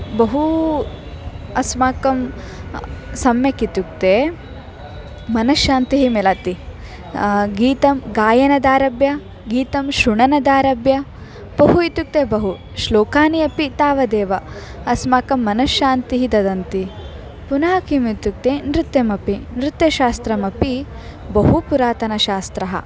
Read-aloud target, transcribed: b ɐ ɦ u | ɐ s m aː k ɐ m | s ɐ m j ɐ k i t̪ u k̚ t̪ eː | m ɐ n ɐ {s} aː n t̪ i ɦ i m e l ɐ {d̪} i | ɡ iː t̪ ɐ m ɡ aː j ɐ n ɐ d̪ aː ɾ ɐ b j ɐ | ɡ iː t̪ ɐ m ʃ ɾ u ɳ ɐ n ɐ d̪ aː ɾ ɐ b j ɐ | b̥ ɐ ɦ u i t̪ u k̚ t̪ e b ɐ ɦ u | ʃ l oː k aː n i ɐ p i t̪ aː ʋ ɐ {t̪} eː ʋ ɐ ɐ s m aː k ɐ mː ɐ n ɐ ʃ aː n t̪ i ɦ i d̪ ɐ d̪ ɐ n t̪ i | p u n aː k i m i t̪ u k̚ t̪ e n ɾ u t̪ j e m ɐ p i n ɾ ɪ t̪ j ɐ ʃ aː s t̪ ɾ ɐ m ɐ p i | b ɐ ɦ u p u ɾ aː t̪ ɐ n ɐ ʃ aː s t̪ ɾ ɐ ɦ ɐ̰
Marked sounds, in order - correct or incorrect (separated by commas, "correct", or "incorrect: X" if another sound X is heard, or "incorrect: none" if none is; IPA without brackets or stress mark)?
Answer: incorrect: ʃ, incorrect: t̪, incorrect: d̪